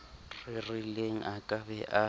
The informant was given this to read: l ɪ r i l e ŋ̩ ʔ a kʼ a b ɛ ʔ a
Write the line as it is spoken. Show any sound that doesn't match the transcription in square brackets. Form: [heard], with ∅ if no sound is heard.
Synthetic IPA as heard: [r] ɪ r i l e ŋ̩ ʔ a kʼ a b ɛ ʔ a